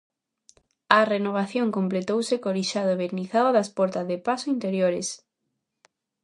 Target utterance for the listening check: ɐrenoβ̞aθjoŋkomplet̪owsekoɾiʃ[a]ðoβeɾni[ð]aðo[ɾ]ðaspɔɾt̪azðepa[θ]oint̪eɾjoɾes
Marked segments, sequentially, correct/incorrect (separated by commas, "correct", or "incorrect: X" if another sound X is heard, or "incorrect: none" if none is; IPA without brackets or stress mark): correct, incorrect: θ, incorrect: none, incorrect: s